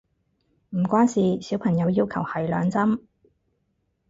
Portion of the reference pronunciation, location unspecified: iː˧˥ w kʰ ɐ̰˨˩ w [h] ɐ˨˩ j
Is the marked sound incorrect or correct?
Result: correct